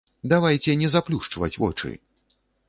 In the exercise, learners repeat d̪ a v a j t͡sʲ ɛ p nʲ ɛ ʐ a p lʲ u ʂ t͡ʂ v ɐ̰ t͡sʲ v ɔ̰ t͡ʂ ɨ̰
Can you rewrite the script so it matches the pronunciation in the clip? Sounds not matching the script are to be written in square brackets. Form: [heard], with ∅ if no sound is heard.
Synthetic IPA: d̪ a v a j t͡sʲ ɛ [∅] nʲ ɛ [z] a p lʲ u ʂ t͡ʂ v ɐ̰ t͡sʲ v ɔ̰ t͡ʂ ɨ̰

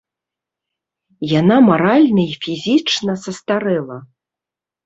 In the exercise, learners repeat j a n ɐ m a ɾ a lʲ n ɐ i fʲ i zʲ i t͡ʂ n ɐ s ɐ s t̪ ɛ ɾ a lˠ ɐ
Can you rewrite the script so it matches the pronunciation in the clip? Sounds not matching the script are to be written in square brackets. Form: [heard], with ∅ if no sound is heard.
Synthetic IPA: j a n [a] m a ɾ a lʲ n ɐ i fʲ i zʲ i t͡ʂ n ɐ s ɐ s t̪ [a] ɾ [ɛ] lˠ ɐ

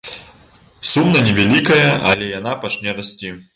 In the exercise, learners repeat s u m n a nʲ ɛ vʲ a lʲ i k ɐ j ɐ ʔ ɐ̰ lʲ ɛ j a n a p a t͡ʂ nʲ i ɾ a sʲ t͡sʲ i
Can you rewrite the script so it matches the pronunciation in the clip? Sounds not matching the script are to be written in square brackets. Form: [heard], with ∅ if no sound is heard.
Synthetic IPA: s u m n [ɐ] nʲ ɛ vʲ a lʲ i k ɐ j ɐ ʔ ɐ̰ lʲ ɛ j a n a p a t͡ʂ nʲ [ɛ] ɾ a sʲ t͡sʲ i

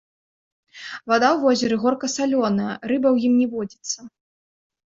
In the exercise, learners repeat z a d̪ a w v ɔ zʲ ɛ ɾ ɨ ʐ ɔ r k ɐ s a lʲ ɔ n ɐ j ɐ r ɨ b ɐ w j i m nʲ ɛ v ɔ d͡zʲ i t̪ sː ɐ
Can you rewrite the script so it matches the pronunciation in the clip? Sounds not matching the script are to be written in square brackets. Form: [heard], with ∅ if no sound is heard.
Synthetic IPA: [v] a d̪ a w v ɔ zʲ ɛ ɾ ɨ [ɣ] ɔ r k ɐ s a lʲ ɔ n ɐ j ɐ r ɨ b ɐ w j i m nʲ ɛ v ɔ d͡zʲ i t̪ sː ɐ

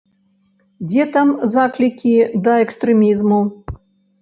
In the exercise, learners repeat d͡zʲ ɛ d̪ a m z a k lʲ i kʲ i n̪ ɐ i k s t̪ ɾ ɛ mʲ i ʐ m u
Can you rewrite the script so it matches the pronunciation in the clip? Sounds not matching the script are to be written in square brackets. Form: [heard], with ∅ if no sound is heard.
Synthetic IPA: d͡zʲ ɛ [t̪] a m z a k lʲ i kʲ i [d̪] ɐ [ɛ] k s t̪ ɾ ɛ mʲ i [z] m u

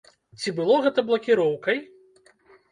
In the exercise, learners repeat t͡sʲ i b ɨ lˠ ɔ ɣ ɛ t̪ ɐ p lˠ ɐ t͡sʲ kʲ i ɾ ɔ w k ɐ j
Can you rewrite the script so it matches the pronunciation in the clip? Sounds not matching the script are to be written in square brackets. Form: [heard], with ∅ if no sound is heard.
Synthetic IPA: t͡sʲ i b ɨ lˠ ɔ ɣ ɛ t̪ ɐ [b] lˠ ɐ [∅] kʲ i ɾ ɔ w k ɐ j

